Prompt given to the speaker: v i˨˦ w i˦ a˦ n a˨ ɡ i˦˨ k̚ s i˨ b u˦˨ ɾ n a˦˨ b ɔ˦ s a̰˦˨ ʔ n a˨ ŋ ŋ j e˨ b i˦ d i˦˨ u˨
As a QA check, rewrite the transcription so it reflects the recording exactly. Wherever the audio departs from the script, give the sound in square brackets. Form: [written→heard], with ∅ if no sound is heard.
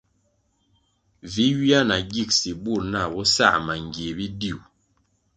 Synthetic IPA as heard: v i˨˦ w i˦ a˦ n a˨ ɡ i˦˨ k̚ s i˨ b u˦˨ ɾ n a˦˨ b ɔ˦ s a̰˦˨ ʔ [n→m] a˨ ŋ [ŋ→ɡ] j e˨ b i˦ d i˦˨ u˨